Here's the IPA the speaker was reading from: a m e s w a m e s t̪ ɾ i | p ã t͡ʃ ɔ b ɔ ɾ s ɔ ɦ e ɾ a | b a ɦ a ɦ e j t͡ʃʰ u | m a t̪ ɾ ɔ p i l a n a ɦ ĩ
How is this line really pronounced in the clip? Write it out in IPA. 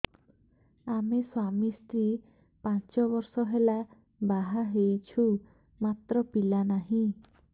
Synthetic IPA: a m e s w a m i s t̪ ɾ i | p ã t͡ʃ ɔ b ɔ ɾ s ɔ ɦ e l a | b a ɦ a ɦ e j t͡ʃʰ u | m a t̪ ɾ ɔ p i l a n a ɦ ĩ